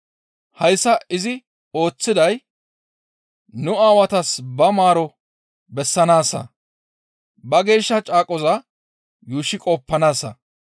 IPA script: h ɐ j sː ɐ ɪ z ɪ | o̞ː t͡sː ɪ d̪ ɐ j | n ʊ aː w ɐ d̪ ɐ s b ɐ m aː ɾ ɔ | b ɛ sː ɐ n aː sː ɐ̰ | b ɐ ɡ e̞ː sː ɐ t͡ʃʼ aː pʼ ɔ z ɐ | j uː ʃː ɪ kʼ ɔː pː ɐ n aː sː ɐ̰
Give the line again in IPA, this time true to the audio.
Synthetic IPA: h ɐ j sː ɐ ɪ z ɪ | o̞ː t͡sː ɪ d̪ ɐ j | n ʊ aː w ɐ t̪ ɐ s b ɐ m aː ɾ ɔ | b ɛ sː ɐ n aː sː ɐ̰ | b ɐ ɡ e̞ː ʃː ɐ t͡ʃʼ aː kʼ ɔ z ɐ | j uː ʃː ɪ kʼ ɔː pː ɐ n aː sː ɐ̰

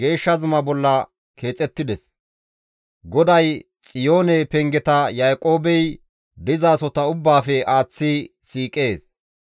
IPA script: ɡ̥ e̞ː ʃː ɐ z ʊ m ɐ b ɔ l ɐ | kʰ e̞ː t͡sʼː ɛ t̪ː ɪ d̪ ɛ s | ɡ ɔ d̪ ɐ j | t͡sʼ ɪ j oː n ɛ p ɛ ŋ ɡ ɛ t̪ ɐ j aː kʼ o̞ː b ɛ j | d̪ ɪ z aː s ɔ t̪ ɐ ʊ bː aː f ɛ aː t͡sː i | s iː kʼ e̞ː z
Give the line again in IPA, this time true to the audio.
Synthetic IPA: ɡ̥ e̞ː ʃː ɐ z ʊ m ɐ b ɔ lː ɐ | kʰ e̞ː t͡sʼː ɛ t̪ː ɪ d̪ ɛ s | ɡ ɔ d̪ ɐ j | t͡sʼ ɪ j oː n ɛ p ɛ ŋ ɡ ɛ t̪ ɐ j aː kʼ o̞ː b ɛ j | d̪ ɪ z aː s ɔ t̪ ɐ ʊ bː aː f ɛ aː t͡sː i | s iː kʼ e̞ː s

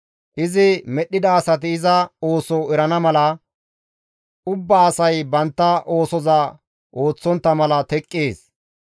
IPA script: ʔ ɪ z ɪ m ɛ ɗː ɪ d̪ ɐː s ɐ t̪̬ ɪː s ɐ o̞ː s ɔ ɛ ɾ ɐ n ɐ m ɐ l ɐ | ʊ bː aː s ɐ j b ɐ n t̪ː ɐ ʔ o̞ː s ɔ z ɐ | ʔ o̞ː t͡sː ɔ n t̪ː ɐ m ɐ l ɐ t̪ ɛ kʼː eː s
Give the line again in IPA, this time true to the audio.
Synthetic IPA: ʔ ɪ z ɪ m ɛ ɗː ɪ d̪ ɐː s ɐ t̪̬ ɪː z ɐ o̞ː s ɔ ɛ ɾ ɐ n ɐ m ɐ l ɐ | ʊ bː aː s ɐ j b ɐ n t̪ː ɐ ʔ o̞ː s ɔ z ɐ | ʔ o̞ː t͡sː ɔ n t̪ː ɐ m ɐ l ɐ t̪ ɛ kʼː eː s

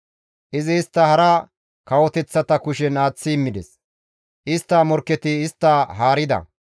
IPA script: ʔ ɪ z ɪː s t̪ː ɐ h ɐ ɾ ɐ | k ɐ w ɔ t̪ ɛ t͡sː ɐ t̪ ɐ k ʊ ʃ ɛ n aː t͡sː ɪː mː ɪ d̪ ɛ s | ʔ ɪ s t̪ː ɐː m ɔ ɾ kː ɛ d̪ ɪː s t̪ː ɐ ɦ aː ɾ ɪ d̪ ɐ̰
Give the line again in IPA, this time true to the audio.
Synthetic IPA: ʔ ɪ z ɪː s t̪ː ɐ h ɐ ɾ ɐ | k ɐ w ɔ t̪ ɛ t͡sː ɐ t̪ ɐ k ʊ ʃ ɛ n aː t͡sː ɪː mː ɪ d̪ ɛ s | ʔ ɪ s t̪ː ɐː m ɔ ɾ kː ɛ t̪ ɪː s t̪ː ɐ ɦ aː ɾ ɪ d̪ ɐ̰

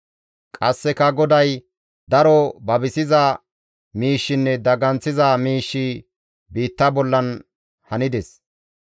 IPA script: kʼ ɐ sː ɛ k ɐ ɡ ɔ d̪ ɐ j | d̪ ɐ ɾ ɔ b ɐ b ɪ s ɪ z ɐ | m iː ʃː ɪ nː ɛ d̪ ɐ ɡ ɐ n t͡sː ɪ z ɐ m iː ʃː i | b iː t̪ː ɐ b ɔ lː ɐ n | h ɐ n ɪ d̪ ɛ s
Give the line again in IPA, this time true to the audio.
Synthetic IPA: kʼ ɐ sː ɛ k ɐ ɡ ɔ d̪ ɐ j | d̪ ɐ ɾ ɔ b ɐ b ɪ s ɪ z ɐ | m iː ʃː ɪ nː ɛ d̪ ɐ ɡ ɐ n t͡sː ɪ z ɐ m iː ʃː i | b iː t̪ː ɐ b ɔ lː ɐ n | h ɐ n ɪ d̪ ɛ s

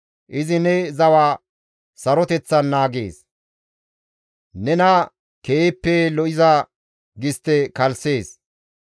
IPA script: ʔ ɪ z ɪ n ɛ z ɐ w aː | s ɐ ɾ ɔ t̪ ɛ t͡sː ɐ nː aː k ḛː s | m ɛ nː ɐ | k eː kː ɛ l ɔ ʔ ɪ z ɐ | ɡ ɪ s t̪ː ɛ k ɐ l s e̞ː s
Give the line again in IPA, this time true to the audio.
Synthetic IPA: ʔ ɪ z ɪ n ɛ z ɐ w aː | s ɐ ɾ ɔ t̪ ɛ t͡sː ɐ nː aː ɡ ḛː s | n ɛ n ɐ | k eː pː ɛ l ɔ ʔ ɪ z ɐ | ɡ ɪ s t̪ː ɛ k ɐ l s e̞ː s

